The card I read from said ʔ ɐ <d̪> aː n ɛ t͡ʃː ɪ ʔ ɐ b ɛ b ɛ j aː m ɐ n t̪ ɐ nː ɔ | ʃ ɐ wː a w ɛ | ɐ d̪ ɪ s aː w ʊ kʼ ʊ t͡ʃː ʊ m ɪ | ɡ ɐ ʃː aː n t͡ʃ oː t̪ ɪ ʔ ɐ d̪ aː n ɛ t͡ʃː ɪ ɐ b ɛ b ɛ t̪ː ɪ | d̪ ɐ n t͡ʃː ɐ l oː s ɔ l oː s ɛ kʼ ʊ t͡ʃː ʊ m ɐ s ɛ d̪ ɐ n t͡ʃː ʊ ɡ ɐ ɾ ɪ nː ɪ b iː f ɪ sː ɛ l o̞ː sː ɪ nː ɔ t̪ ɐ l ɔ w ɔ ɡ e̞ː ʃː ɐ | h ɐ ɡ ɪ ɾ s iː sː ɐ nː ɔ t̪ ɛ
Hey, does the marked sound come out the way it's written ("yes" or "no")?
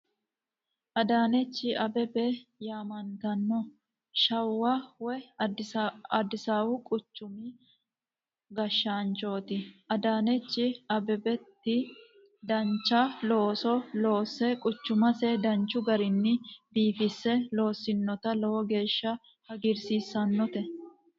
yes